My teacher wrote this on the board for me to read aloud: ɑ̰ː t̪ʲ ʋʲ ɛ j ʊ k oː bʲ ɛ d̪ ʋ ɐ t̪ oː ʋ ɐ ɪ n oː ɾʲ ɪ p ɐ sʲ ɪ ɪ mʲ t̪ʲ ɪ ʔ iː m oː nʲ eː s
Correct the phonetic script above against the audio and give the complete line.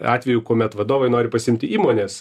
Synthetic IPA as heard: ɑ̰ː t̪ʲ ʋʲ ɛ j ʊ k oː mʲ ɛ t̪ ʋ ɐ d̪ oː ʋ ɐ ɪ n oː ɾʲ ɪ p ɐ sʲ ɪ ɪ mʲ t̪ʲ ɪ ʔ iː m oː nʲ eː s